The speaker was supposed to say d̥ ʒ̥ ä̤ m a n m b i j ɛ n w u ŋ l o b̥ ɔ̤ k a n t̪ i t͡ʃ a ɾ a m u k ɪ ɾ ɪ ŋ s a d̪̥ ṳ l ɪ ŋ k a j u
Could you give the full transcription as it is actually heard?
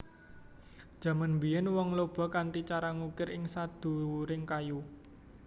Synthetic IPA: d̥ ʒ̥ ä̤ m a n m b i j ɛ n w ɔ ŋ l o b̥ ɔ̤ k a n t̪ i t͡ʃ a ɾ a ŋ u k ɪ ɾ ɪ ŋ s a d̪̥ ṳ ɾ ɪ ŋ k a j u